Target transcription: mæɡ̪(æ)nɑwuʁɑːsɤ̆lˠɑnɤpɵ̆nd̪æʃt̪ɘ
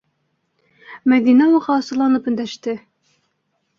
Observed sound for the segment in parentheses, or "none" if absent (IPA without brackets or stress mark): i